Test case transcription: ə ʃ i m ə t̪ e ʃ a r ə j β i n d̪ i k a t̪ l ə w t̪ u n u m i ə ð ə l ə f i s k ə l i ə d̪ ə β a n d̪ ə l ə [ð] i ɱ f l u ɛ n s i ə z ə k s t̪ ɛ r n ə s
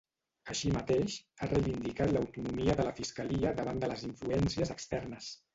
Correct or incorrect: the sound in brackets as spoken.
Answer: incorrect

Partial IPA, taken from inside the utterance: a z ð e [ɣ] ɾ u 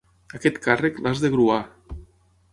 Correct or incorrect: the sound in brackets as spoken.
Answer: correct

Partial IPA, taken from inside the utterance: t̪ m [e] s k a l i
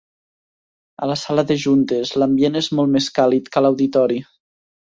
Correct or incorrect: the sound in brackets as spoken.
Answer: correct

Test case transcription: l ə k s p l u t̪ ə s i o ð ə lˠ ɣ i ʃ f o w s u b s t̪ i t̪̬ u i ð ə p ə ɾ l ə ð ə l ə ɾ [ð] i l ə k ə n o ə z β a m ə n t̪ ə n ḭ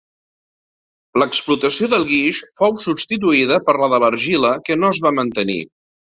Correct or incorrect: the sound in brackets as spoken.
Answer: incorrect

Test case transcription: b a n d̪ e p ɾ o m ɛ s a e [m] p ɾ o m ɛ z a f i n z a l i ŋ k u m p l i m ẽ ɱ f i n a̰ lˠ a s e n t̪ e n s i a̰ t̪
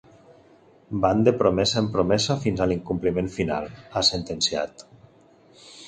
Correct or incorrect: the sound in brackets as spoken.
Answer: correct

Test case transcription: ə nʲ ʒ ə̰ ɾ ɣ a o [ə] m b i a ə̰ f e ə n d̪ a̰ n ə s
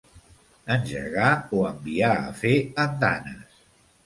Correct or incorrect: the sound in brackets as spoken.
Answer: correct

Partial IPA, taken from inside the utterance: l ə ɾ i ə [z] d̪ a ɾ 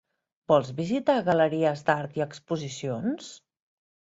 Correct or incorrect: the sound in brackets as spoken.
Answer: correct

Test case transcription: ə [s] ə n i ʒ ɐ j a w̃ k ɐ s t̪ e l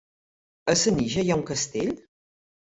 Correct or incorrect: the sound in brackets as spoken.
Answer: correct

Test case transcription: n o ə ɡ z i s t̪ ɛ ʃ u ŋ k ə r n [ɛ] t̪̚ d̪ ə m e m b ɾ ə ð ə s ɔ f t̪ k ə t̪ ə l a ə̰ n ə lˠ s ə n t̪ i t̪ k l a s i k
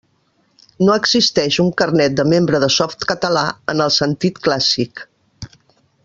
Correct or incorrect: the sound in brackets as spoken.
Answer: correct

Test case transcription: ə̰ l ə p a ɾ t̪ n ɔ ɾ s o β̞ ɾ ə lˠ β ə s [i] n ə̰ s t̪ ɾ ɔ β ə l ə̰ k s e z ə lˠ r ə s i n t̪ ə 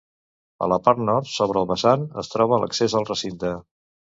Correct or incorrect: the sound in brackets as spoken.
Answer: incorrect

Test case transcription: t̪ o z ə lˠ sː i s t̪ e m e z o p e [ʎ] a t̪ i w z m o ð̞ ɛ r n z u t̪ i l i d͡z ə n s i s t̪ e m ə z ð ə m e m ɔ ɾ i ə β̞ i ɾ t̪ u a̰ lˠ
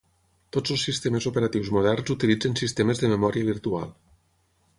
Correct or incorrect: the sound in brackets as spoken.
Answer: incorrect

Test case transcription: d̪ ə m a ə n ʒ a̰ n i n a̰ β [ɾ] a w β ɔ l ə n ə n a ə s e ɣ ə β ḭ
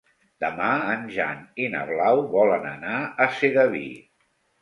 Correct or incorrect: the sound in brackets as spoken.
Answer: incorrect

